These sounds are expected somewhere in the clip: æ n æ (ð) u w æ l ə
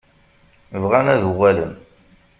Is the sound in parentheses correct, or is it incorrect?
correct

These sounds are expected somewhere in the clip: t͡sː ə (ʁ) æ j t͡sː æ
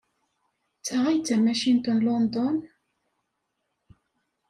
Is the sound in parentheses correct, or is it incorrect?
correct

